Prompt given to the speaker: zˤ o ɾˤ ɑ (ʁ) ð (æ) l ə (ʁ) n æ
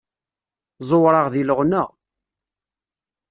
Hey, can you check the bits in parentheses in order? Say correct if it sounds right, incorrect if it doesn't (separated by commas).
correct, incorrect, correct